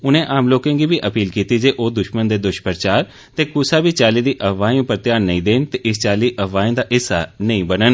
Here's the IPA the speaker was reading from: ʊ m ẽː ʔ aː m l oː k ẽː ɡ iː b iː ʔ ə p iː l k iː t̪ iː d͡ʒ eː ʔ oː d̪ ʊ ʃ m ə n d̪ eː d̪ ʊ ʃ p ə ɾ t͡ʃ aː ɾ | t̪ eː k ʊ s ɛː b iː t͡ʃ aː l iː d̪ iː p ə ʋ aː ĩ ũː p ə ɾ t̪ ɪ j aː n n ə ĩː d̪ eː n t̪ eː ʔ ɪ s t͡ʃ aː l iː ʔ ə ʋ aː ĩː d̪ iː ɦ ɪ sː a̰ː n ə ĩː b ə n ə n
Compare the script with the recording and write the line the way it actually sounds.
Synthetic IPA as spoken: ʊ n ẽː ʔ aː m l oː k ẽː ɡ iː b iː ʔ ə p iː l k iː t̪ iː d͡ʒ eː ʔ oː d̪ ʊ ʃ m ə n d̪ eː d̪ ʊ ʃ p ə ɾ t͡ʃ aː ɾ | t̪ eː k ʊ s aː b iː t͡ʃ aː l iː d̪ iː ʔ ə ʋ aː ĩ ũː p ə ɾ t̪ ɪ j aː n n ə ĩː d̪ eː n t̪ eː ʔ ɪ s t͡ʃ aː l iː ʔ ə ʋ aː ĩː d̪ aː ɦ ɪ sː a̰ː n ə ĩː b ə n ə n